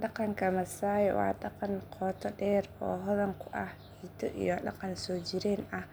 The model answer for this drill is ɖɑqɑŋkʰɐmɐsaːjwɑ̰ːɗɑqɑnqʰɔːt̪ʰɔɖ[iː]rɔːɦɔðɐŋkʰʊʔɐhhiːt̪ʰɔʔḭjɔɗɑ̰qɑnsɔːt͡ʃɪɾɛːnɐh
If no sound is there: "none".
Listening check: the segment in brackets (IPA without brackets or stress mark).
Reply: ɛː